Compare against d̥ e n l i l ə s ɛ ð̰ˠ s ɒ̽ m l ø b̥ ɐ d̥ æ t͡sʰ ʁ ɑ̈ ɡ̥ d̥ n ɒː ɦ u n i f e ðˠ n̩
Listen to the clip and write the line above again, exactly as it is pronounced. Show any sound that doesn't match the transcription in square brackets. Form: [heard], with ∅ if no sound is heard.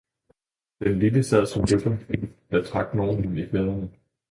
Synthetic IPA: d̥ e n l i l ə s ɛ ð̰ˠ s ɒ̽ m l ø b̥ ɐ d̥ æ t͡sʰ ʁ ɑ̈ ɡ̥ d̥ n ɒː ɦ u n i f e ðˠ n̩